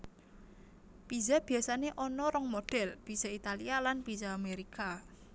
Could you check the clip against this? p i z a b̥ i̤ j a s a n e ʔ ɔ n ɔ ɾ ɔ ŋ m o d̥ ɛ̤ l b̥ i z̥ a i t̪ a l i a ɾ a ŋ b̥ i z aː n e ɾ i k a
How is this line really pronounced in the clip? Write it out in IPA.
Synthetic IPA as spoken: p i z a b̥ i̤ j a s a n e ʔ ɔ n ɔ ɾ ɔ ŋ m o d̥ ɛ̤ l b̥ i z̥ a i t̪ a l i a l a n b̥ i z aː m e ɾ i k a